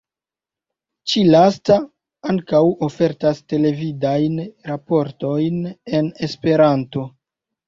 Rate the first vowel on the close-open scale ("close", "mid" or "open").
close